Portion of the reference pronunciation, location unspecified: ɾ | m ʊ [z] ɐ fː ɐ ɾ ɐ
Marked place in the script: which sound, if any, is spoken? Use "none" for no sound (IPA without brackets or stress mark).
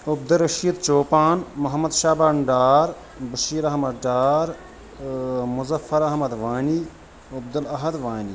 z